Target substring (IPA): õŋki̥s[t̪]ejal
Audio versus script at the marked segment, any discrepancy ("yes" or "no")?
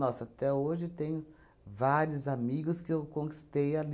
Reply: no